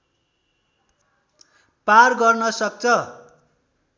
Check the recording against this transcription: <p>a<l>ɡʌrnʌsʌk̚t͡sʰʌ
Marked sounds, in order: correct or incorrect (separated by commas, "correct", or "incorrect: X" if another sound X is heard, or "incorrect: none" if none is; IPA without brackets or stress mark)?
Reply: correct, incorrect: r